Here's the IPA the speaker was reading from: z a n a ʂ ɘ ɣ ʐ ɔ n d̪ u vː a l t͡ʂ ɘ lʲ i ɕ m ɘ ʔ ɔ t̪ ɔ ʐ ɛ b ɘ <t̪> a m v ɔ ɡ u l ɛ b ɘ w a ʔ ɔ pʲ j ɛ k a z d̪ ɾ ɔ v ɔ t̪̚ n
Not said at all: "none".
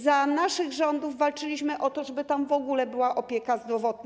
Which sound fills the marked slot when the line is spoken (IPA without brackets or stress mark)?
t̪